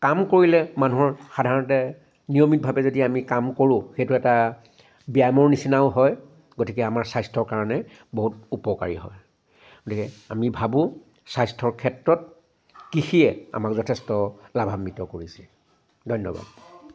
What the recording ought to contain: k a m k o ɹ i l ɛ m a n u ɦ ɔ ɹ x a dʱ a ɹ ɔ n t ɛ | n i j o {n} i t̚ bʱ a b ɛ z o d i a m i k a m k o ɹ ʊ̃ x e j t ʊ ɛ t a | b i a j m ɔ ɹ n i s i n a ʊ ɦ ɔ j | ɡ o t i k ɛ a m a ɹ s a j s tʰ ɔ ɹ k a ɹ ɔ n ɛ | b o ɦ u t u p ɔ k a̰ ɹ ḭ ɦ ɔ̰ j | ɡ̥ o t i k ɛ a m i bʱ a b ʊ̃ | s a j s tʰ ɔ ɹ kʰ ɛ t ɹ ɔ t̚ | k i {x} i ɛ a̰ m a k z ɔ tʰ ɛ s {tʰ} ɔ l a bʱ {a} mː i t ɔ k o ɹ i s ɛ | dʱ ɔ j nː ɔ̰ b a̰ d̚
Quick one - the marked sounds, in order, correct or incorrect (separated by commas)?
incorrect, correct, incorrect, correct